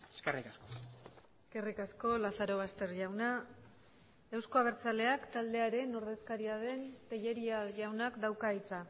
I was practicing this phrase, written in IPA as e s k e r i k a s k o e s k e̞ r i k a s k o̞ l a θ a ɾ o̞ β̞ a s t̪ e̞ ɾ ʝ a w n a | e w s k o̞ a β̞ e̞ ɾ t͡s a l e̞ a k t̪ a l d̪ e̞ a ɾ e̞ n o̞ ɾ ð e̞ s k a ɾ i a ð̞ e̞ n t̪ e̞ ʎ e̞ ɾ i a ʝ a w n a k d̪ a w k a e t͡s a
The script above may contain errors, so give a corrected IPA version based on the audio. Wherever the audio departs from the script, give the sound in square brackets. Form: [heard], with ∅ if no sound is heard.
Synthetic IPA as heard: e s k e r i k a s k o e s k e̞ r i k a s k o̞ l a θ a ɾ o̞ β̞ a s t̪ e̞ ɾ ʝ a w n a | e w s k o̞ a β̞ e̞ ɾ t͡s a l e̞ a k t̪ a l d̪ e̞ a ɾ e̞ n o̞ ɾ ð e̞ s k a ɾ i a ð̞ e̞ n t̪ e̞ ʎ e̞ ɾ i a ʝ a w n a k d̪ a w k a [i] t͡s a